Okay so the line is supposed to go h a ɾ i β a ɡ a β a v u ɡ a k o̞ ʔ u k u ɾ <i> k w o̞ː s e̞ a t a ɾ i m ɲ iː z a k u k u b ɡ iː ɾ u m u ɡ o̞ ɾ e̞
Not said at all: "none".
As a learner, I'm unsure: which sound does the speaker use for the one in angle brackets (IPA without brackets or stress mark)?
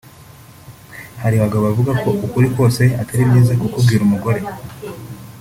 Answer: i